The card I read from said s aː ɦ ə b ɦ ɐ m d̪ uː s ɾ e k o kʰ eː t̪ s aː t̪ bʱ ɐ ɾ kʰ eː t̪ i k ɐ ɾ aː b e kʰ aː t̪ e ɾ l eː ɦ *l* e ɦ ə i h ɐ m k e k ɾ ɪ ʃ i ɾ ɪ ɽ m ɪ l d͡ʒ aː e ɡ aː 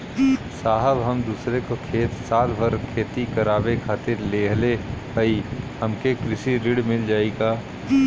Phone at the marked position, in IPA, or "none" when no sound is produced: l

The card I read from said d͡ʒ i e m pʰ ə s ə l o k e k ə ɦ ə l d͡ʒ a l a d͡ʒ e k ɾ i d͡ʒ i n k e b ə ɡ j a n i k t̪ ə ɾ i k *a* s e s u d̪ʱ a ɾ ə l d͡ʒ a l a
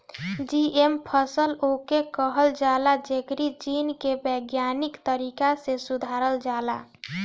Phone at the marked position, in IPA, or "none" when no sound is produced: a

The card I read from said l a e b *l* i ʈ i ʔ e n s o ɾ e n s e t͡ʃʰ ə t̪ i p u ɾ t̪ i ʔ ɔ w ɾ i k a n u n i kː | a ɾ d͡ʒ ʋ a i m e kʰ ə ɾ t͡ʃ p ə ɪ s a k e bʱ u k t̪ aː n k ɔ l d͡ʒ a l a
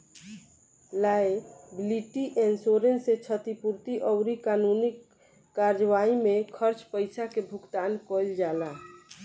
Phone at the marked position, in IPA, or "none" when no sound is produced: l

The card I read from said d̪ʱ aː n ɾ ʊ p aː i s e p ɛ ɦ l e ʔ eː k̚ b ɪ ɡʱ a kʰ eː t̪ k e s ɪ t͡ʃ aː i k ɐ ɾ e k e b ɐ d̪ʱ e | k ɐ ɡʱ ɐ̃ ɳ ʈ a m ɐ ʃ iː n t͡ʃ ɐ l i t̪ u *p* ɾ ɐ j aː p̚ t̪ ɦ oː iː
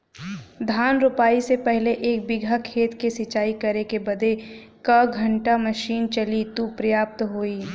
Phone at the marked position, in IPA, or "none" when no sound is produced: p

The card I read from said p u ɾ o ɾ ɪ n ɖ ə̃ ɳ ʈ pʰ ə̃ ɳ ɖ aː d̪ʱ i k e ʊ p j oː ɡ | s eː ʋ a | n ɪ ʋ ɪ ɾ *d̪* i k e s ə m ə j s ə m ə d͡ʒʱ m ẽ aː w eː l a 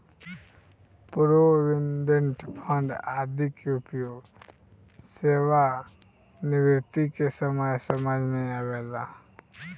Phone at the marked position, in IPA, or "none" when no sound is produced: t̪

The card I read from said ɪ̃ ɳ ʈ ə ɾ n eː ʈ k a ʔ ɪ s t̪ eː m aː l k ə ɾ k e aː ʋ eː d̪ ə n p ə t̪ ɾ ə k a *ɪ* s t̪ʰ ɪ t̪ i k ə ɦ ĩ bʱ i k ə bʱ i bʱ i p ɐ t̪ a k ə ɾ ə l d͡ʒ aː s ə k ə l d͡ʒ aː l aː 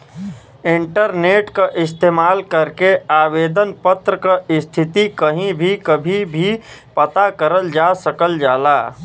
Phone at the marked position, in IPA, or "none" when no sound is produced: ɪ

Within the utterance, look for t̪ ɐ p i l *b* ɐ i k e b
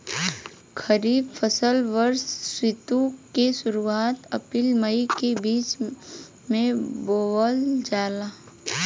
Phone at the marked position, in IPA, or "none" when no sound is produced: m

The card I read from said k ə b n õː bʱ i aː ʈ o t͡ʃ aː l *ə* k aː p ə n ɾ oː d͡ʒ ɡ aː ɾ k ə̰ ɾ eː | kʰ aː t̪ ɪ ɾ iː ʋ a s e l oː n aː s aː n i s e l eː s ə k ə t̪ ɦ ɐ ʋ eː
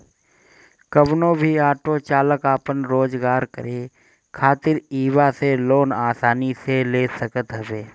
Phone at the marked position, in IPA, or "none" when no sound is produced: ə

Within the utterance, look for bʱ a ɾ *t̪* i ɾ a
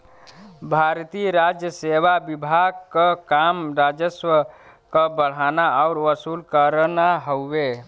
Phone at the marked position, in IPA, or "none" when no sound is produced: t̪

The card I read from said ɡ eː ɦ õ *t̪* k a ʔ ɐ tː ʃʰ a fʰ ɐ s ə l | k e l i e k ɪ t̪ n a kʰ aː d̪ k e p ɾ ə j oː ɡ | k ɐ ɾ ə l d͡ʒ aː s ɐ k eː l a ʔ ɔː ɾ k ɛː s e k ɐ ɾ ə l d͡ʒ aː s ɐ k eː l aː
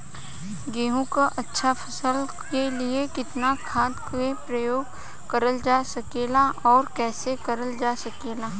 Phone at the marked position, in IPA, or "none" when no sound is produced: none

